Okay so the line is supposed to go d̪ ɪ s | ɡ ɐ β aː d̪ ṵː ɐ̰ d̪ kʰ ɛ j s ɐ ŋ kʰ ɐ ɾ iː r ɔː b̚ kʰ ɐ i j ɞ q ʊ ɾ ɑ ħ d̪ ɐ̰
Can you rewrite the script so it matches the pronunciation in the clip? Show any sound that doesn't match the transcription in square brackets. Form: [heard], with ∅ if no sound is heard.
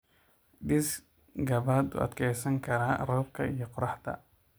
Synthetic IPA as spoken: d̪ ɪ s | ɡ ɐ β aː d̪ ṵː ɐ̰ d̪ kʰ ɛ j s ɐ ŋ kʰ ɐ ɾ [aː] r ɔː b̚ kʰ ɐ i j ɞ q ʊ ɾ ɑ ħ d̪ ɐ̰